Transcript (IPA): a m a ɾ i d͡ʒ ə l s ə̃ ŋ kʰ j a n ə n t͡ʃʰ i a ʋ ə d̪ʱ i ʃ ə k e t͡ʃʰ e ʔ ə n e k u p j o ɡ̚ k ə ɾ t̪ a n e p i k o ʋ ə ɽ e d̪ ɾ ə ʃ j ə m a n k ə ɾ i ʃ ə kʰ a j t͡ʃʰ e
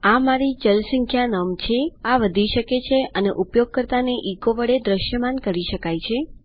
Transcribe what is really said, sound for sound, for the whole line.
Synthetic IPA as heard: a m a ɾ i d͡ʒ ə l s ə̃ ŋ kʰ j a n ə m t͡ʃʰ e a ʋ ə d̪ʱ i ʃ ə k e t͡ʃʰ e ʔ ə n e ʔ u p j o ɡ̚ k ə ɾ t̪ a n e ʔ i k o ʋ ə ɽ e d̪ ɾ ə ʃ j ə m a n k ə ɾ i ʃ ə k a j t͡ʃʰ e